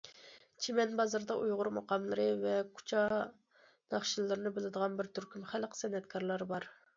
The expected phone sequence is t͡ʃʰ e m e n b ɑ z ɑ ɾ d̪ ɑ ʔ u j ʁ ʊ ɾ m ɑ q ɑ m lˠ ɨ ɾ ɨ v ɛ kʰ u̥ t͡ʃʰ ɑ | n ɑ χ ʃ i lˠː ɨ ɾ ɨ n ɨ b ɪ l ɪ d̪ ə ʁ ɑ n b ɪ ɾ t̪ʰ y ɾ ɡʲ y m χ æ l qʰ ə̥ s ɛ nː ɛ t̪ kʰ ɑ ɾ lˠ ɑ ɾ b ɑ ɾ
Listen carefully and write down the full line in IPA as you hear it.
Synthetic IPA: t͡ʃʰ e m ɛ n b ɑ z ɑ ɾ d̪ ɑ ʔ u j ʁ ʊ ɾ m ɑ q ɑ m lˠ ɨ ɾ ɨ v ɛ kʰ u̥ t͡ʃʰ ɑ | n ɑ χ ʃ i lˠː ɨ ɾ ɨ n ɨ b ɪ l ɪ d̪ ə ʁ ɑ n b ɪ ɾ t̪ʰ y ɾ kʲ y m χ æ l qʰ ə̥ s ɛ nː ɛ t̪ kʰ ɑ ɾ lˠ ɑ ɾ b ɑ ɾ